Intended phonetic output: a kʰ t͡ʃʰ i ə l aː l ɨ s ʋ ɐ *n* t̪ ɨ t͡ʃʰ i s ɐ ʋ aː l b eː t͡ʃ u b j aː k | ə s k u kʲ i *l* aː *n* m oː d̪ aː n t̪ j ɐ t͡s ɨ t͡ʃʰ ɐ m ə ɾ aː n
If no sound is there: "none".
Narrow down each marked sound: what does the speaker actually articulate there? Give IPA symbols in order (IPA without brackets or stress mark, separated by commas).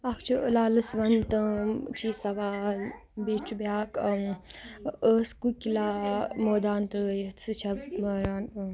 n, l, none